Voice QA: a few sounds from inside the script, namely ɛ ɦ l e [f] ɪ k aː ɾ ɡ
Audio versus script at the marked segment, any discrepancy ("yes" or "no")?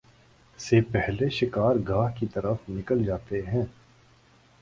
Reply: yes